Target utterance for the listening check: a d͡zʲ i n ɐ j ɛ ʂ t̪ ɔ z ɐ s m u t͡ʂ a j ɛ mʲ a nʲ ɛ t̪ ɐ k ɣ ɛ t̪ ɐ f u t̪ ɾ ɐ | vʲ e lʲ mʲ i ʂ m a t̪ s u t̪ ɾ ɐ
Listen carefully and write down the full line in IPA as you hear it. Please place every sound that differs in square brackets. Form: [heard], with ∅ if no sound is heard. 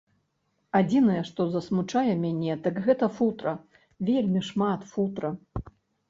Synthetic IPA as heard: a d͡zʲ i n ɐ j ɛ ʂ t̪ ɔ z ɐ s m u t͡ʂ a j ɛ mʲ a nʲ ɛ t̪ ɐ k ɣ ɛ t̪ ɐ f u t̪ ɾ ɐ | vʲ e lʲ mʲ i ʂ m a t̪ [f] u t̪ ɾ ɐ